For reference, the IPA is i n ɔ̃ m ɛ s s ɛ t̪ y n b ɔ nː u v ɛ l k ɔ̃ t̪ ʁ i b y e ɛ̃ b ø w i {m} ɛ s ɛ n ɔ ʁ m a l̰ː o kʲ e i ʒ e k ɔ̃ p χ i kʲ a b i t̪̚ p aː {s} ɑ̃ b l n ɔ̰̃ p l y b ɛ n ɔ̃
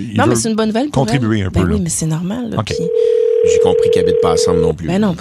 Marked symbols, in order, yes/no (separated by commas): yes, yes